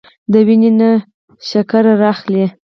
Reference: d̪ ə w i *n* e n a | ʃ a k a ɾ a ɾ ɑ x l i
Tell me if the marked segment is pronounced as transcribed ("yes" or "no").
yes